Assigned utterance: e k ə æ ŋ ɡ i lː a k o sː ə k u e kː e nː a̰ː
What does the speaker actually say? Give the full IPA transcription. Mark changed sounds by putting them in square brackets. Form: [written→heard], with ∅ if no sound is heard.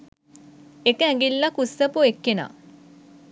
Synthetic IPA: e k ə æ ŋ ɡ i lː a k [o→u] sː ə [k→p] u e kː e [nː→n] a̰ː